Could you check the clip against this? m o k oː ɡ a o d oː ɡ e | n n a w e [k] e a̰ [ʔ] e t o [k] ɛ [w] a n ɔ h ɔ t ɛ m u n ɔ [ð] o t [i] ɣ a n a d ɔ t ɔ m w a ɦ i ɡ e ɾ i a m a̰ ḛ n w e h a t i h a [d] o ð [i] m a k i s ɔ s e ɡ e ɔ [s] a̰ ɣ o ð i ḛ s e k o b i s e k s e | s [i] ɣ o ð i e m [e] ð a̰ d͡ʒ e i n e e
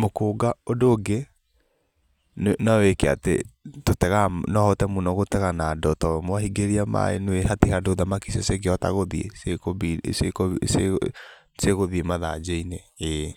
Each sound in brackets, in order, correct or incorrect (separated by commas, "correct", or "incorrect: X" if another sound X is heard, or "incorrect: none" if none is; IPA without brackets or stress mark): correct, incorrect: t, incorrect: t, incorrect: ɣ, incorrect: ɣ, incorrect: ɛ, correct, incorrect: a, incorrect: t, incorrect: e, incorrect: a